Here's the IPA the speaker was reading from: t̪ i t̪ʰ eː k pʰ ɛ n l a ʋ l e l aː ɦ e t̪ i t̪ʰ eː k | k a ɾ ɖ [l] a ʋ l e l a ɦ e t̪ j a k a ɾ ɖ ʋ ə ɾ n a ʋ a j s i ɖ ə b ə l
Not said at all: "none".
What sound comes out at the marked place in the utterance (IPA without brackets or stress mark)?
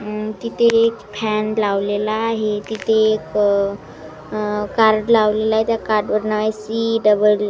l